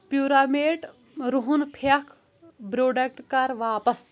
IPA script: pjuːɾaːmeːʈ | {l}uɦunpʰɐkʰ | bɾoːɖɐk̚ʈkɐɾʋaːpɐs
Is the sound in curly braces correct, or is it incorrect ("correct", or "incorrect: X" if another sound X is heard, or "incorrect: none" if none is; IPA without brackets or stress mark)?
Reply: incorrect: ɾ